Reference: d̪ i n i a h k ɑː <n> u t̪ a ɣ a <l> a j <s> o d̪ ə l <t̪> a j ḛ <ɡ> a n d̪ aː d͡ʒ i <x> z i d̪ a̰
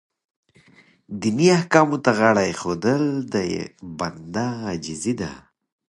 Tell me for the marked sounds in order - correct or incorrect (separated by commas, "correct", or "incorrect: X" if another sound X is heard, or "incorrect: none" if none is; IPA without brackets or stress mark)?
incorrect: m, incorrect: ɽ, incorrect: x, incorrect: d̪, incorrect: b, incorrect: none